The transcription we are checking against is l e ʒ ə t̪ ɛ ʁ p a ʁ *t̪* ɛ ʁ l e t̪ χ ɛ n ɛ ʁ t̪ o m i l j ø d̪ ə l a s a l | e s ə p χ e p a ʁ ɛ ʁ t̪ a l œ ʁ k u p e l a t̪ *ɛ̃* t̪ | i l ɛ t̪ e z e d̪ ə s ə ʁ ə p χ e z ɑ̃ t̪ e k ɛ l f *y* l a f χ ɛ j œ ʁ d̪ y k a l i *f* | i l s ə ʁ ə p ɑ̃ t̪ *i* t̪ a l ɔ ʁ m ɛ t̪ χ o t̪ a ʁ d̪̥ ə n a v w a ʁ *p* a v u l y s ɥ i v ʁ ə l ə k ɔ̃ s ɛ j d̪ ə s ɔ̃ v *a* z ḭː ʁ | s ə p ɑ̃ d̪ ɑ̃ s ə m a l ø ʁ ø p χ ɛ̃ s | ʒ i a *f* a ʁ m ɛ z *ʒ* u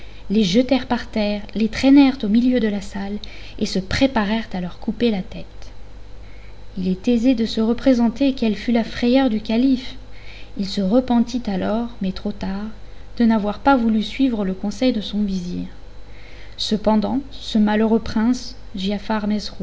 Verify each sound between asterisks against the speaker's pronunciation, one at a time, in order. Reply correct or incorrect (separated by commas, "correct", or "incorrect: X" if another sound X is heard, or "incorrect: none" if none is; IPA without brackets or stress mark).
correct, incorrect: ɛ, correct, correct, correct, correct, incorrect: i, correct, incorrect: ʁ